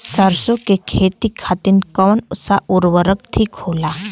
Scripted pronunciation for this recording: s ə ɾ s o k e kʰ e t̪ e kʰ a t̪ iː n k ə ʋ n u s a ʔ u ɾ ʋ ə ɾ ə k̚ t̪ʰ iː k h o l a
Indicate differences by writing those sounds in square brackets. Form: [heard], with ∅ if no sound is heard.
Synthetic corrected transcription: s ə ɾ s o k e kʰ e t̪ [i] kʰ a t̪ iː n k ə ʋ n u s a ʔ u ɾ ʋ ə ɾ ə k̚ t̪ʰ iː k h o l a